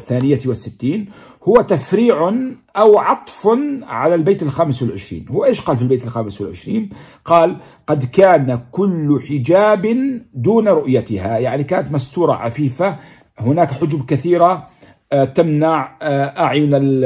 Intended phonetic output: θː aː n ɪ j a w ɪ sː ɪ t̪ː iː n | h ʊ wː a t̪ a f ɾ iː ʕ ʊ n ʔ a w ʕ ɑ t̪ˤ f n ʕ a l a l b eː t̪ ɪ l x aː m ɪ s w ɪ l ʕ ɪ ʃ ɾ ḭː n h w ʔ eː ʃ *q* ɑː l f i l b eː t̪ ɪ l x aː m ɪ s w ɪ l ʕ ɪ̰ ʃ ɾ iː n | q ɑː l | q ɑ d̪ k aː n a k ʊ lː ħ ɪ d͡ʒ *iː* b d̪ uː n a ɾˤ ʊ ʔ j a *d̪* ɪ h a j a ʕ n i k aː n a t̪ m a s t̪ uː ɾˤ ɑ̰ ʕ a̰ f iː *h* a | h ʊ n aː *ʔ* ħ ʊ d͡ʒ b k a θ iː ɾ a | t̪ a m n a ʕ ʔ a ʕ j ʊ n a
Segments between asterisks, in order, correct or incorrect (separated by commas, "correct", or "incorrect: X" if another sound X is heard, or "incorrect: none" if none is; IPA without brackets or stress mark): correct, incorrect: aː, incorrect: t̪, incorrect: f, incorrect: k